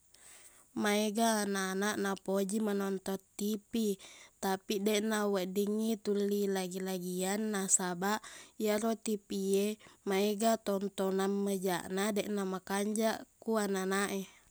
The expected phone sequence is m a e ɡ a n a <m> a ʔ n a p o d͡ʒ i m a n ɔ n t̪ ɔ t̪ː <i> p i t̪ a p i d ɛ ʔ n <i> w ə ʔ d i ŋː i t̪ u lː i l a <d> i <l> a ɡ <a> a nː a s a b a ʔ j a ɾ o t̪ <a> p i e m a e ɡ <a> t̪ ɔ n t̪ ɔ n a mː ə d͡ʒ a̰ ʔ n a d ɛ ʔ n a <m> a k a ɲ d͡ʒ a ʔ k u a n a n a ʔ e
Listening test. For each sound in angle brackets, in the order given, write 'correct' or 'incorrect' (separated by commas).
incorrect, correct, incorrect, incorrect, correct, incorrect, incorrect, correct, correct